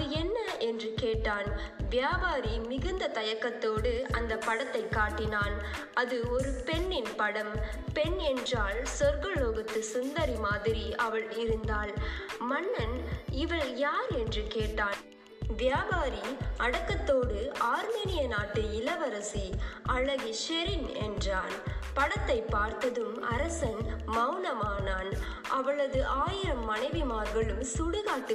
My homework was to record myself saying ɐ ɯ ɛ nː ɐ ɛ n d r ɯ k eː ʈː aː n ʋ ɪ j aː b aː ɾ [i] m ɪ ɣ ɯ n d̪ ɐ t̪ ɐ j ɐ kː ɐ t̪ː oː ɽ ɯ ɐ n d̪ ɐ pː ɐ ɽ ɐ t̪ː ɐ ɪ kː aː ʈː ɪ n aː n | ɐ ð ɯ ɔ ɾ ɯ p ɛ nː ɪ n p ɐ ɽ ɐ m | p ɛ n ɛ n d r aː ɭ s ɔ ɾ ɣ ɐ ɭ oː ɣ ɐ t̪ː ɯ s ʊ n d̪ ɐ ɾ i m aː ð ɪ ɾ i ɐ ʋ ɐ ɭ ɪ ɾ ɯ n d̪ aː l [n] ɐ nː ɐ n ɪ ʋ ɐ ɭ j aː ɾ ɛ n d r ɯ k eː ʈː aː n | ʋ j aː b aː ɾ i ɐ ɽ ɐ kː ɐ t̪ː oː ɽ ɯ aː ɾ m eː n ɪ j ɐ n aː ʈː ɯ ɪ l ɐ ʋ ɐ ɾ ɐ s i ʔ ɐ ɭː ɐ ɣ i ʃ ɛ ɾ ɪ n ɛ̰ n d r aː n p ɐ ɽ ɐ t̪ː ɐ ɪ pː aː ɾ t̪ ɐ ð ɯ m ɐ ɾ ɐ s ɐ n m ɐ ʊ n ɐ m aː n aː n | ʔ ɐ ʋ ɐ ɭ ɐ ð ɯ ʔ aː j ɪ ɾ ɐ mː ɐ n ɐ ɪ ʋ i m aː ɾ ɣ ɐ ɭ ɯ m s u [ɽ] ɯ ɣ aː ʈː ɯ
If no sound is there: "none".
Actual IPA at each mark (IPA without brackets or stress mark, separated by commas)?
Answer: i, m, ɽ